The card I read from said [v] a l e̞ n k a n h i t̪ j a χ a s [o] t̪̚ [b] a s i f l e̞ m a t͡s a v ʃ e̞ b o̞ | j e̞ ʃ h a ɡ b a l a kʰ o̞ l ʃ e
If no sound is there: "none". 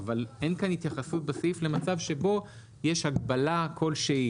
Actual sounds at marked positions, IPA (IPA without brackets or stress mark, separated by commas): v, u, b